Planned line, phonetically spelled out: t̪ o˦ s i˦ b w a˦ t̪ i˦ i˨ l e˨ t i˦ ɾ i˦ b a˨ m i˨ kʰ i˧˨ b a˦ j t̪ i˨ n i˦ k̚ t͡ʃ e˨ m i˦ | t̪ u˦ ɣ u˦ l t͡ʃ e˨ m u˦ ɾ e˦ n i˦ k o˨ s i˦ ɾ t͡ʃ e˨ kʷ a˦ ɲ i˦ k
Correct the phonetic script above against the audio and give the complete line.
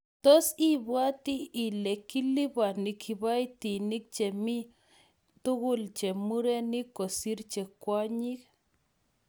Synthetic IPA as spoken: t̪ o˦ s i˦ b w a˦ t̪ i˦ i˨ l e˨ k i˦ l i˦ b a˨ n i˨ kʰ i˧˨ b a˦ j t̪ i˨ n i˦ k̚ t͡ʃ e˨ m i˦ | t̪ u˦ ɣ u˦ l t͡ʃ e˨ m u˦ ɾ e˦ n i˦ k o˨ s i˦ ɾ t͡ʃ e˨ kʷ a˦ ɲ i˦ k